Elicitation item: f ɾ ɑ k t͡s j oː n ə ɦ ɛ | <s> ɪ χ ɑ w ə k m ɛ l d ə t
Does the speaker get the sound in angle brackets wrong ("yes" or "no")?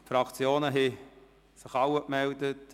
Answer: no